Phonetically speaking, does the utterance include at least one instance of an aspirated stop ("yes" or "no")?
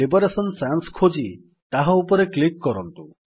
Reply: yes